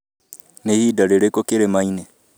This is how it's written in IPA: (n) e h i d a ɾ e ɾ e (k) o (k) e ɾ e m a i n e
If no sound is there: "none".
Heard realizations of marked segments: n, k, k

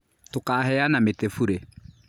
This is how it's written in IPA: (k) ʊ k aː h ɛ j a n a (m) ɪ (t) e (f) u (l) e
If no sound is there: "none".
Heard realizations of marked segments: t, m, t, f, ɾ

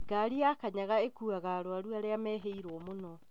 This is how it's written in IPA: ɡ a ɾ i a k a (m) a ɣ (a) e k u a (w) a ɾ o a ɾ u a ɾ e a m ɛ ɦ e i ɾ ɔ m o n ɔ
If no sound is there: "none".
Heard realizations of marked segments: ɲ, a, ɣ

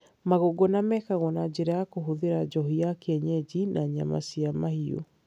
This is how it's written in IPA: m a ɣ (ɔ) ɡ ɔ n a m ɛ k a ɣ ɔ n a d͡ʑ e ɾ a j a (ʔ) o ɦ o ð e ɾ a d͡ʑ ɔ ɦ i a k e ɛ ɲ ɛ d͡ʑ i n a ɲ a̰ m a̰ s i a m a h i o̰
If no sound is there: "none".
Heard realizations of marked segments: o, k

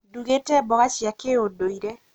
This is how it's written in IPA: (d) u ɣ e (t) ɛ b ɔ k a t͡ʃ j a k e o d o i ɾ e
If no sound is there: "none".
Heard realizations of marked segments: d, t

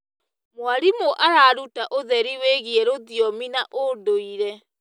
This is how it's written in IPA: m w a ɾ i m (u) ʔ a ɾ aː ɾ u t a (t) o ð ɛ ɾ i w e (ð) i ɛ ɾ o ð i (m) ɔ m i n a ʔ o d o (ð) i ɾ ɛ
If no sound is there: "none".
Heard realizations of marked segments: o, ʔ, ɣ, none, none

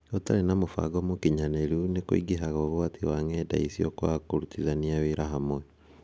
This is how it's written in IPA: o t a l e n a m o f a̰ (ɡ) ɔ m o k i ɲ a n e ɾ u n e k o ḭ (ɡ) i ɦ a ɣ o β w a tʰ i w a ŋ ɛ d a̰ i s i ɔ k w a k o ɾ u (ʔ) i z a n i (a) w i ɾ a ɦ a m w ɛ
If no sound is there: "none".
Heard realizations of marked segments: ɡ, ɡ, t, a

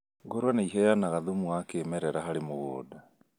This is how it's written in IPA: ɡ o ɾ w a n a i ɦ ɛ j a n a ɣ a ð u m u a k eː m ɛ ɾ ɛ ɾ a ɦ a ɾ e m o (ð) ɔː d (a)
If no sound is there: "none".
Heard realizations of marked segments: ɣ, a

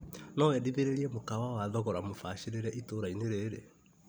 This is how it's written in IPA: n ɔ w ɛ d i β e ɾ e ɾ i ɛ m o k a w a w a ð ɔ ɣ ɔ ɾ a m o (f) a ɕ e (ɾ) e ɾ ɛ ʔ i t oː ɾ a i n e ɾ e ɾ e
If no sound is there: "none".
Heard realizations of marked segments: f, ɾ

